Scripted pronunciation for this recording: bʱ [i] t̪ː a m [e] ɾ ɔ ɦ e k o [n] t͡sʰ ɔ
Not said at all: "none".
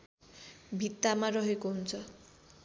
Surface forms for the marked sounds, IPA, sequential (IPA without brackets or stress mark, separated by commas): i, a, n